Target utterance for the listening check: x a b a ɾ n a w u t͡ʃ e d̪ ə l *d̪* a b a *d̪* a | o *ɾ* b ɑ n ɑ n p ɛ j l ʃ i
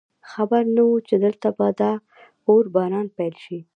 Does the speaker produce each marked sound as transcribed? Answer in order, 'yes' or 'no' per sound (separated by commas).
no, yes, yes